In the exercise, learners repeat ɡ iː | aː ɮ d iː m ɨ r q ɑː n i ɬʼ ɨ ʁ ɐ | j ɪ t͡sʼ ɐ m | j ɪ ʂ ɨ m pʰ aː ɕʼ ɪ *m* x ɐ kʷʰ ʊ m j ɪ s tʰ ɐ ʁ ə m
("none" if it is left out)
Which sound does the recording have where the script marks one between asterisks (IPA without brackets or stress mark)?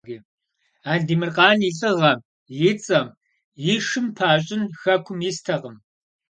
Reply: n